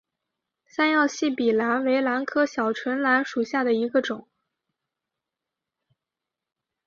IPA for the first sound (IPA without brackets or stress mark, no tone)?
s